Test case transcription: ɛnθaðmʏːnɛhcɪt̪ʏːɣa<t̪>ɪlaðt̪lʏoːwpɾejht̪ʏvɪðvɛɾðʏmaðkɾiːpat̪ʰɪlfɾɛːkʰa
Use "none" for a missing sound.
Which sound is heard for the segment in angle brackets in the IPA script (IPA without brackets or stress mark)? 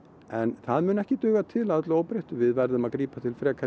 t̪ʰ